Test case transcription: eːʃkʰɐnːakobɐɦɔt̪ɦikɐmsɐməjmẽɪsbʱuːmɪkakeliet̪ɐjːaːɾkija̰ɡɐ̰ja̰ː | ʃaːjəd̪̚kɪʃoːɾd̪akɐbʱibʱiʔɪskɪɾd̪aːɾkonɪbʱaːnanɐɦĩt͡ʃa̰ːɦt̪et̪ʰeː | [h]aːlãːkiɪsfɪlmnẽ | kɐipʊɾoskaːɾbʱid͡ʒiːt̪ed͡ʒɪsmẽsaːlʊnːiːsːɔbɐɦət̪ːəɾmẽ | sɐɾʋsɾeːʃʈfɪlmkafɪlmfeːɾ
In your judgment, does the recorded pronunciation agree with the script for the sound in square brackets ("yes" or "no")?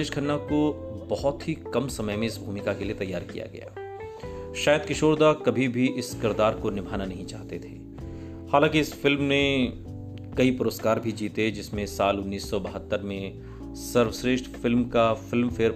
yes